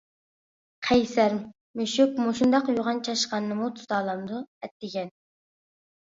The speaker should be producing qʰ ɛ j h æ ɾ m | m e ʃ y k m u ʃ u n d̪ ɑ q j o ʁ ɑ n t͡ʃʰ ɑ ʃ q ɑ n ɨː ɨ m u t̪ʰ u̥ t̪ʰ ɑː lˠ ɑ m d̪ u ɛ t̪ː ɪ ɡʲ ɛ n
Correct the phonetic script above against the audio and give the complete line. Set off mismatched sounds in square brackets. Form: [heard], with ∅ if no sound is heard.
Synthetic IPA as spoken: qʰ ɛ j [s] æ ɾ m | m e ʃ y k m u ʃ u n d̪ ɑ q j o ʁ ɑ n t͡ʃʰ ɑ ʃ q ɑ n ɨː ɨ m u t̪ʰ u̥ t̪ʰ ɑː lˠ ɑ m d̪ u ɛ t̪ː ɪ ɡʲ ɛ n